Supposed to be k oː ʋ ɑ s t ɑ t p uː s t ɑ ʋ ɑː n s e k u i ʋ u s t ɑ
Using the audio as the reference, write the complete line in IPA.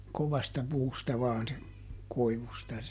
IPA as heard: k o ʋ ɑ s t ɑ p uː s t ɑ ʋ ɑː n s e k o i ʋ u s t ɑ

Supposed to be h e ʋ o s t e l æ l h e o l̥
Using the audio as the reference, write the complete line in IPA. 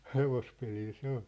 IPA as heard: h e ʋ o s p e l i l s e o l̥

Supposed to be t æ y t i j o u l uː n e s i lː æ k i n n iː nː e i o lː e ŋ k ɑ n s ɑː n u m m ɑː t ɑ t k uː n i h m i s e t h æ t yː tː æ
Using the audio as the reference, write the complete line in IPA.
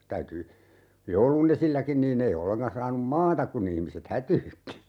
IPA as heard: t æ y t y j o u l u n e s i lː æ k i n n iː nː e i o lː e ŋ k ɑ n s ɑː n u m m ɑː t ɑ k k u n i h m i s e t h æ t yː tː i

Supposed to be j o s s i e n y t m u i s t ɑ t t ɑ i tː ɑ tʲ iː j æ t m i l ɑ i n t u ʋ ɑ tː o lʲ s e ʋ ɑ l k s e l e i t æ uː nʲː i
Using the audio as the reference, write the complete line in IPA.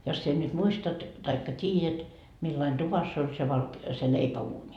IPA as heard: j o s s i e n y t m u i s t ɑ t t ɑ i kː ɑ tʲ iː j æ t m i lː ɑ i n t u ʋ ɑ sː o lʲ s e ʋ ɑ l k s e l e i p æ uː nʲ i

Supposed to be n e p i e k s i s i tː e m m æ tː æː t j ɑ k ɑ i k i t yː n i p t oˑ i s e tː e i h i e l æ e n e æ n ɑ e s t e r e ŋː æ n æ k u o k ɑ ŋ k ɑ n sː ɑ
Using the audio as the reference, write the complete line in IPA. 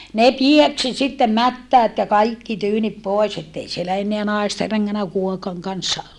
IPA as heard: n e p i e k s i s i tː e m m æ tː æː t j ɑ k ɑ i k i t yː n i p p oˑ e s e tː e i s i e l æ e nː e æ n ɑ e s t e r e ŋː æ n æ k u o k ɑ ŋ k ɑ n sː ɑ

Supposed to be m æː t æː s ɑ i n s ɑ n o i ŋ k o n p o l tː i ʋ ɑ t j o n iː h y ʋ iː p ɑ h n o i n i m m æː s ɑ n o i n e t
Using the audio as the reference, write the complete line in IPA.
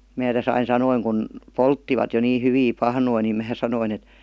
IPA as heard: m æː t æ s ɑ i n s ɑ n o i ŋ k u n p o l tː i ʋ ɑ t j o n iː h y ʋ iː p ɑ h n o i n i m m æː s ɑ n o i n e t

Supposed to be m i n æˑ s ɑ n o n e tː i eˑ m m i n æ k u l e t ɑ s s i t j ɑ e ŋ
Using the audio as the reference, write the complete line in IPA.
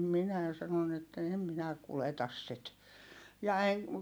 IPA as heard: m i n æˑ s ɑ n o n e tː æ eˑ m m i n æ k u l e t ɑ s s i t j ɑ e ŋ

